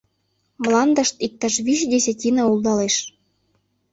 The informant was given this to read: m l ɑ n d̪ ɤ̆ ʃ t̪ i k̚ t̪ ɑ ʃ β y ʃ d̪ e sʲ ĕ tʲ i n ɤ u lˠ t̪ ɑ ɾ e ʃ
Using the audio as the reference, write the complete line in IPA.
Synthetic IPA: m l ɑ n d̪ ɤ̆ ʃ t̪ i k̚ t̪ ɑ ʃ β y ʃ d̪ e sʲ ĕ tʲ i n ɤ u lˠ d̪ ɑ l e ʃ

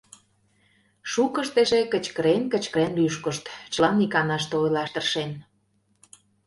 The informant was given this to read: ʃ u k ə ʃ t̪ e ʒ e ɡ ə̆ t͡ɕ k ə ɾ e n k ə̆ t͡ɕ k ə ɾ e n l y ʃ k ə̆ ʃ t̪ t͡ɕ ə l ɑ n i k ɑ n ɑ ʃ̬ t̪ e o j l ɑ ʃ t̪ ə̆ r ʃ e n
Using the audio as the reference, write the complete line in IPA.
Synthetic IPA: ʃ u k ə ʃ t̪ e ʒ e k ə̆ t͡ɕ k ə ɾ e n k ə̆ t͡ɕ k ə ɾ e n l y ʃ k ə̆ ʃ t̪ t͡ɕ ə l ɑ n i k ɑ n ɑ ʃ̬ t̪ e o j l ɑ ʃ t̪ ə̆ r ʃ e n

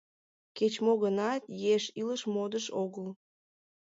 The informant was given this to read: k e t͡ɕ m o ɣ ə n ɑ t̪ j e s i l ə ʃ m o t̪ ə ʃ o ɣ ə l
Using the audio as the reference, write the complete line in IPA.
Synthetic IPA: k e t͡ɕ m o ɣ ə n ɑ t̪ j e ʃ i l ə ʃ m o d̪ ə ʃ o ɣ ə l

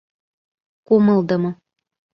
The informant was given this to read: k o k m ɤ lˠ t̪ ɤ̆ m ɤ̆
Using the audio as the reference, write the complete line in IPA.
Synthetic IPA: k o m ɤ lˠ d̪ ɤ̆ m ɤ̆

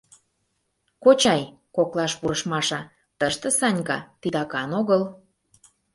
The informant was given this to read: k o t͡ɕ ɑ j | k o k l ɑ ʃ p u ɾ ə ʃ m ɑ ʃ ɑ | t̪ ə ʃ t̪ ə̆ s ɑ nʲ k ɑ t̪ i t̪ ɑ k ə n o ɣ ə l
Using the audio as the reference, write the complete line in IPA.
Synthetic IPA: k o t͡ɕ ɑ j | k o k l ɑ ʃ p u ɾ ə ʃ m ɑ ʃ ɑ | t̪ ə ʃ t̪ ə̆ s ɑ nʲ k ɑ t̪ i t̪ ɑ k ɑ n o ɣ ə l

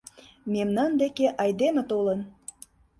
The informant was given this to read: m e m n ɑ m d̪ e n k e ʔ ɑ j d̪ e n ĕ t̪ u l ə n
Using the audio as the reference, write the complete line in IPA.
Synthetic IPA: m e m n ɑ n d̪ e k e ʔ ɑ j d̪ e m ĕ t̪ o l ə n

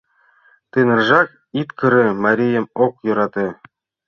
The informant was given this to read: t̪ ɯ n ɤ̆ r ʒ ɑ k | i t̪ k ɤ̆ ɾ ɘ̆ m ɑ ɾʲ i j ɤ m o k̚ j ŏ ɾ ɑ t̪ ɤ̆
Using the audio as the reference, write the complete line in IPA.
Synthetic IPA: t̪ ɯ n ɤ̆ r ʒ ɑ k | i t̪ k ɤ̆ ɾ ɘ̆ m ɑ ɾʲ i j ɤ m o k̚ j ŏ ɾ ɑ t̪ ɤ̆

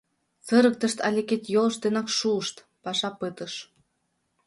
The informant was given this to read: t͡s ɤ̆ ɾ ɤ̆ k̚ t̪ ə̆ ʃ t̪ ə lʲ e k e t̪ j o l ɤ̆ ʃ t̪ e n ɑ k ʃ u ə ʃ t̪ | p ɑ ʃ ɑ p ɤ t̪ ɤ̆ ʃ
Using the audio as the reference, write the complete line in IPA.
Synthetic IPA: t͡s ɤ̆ ɾ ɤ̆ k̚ t̪ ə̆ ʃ t̪ ɑ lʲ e k e t̪ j o l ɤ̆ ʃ t̪ e n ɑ k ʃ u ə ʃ t̪ | p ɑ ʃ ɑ p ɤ t̪ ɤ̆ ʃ

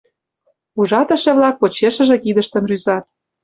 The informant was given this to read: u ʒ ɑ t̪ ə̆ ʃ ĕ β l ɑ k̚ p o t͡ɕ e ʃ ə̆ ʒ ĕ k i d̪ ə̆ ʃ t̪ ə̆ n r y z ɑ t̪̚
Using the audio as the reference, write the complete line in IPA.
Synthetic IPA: u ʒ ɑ t̪ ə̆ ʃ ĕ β l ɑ k̚ p o t͡ɕ e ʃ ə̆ ʒ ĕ k i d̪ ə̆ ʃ t̪ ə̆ n r y z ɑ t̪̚

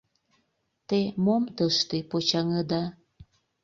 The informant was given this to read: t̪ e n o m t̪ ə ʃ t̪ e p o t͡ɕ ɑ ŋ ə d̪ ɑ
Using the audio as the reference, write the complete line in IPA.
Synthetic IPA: t̪ e m o m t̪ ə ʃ t̪ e p o t͡ɕ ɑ ŋ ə d̪ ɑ

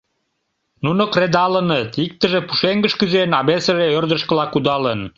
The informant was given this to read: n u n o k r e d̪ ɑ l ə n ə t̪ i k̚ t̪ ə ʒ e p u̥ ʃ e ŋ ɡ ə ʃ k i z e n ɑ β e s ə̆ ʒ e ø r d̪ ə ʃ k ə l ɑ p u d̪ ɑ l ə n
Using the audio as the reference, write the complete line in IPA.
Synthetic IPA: n u n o k r e d̪ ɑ l ə n ə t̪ i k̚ t̪ ə ʒ e p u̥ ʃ e ŋ ɡ ə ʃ k y z e n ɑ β e s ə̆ ʒ e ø r d̪ ə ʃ k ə l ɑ k u d̪ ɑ l ə n

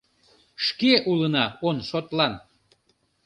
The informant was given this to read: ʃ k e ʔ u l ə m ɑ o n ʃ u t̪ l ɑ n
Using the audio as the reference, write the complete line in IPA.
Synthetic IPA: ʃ k e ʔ u l ə n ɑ o n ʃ o t̪ l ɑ n

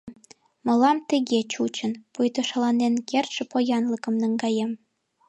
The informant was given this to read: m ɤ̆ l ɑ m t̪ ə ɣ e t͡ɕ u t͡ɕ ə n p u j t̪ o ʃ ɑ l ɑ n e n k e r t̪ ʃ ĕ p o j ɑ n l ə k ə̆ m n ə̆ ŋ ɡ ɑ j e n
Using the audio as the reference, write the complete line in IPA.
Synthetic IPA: m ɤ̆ l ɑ m t̪ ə ɣ e t͡ɕ u t͡ɕ ə n p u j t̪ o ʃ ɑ l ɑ n e n k e r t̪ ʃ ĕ p o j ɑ n l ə k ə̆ m n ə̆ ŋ ɡ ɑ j e m

